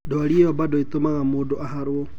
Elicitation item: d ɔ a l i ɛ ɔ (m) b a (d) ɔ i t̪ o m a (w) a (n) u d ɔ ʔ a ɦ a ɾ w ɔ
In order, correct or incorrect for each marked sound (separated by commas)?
incorrect, correct, incorrect, incorrect